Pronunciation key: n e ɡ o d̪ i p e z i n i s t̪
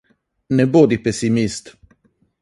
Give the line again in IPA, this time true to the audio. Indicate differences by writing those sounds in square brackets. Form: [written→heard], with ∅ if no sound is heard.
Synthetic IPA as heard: n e [ɡ→b] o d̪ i p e [z→s] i [n→m] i s t̪